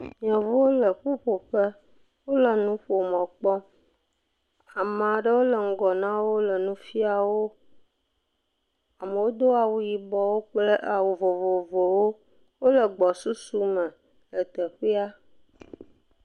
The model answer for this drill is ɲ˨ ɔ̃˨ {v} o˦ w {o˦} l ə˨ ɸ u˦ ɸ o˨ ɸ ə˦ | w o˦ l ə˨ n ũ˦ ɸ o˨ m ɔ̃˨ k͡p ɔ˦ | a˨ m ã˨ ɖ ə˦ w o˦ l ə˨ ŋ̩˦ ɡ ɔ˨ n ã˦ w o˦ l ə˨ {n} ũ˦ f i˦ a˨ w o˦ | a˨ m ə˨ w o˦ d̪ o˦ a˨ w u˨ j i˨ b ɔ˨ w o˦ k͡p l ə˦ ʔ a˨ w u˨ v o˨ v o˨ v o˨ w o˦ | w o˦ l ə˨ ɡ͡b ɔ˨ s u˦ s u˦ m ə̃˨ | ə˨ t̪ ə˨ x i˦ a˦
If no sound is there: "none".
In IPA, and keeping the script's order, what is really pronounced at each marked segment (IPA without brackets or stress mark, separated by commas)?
v, o˦, n